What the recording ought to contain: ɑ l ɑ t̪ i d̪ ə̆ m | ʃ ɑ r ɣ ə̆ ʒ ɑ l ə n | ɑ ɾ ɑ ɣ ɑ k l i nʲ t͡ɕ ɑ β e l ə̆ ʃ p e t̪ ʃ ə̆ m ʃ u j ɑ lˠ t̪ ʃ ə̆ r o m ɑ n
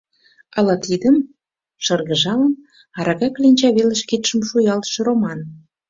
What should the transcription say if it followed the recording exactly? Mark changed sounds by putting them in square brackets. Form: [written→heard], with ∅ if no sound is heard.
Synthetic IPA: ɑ l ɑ t̪ i d̪ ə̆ m | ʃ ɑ r ɣ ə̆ ʒ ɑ l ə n | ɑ ɾ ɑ ɣ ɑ k l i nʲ t͡ɕ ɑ β e l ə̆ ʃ [p→k] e t̪ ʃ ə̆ m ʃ u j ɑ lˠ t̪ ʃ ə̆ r o m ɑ n